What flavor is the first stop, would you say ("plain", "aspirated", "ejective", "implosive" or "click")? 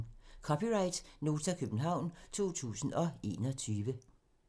aspirated